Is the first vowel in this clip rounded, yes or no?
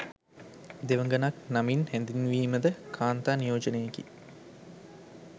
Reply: no